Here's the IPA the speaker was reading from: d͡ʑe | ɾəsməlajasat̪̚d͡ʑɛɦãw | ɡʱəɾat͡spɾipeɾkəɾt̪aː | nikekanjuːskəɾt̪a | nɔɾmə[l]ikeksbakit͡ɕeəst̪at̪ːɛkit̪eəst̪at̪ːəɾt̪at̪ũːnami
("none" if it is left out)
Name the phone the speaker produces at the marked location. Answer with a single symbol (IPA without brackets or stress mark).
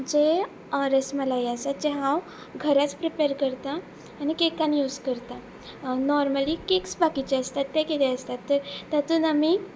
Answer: l